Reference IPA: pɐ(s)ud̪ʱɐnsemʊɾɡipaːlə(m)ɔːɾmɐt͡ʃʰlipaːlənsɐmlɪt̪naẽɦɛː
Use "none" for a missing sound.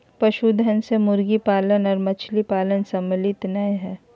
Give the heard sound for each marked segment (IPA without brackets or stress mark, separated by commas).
ʃ, n